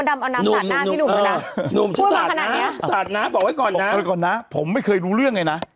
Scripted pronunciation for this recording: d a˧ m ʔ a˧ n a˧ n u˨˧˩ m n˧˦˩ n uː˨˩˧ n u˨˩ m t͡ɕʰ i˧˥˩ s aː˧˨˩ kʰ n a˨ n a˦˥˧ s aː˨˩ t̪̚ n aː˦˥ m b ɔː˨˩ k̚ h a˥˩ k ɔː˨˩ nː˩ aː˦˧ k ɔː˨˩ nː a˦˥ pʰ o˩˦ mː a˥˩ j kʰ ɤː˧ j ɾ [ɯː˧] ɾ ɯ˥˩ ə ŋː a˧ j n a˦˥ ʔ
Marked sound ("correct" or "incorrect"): incorrect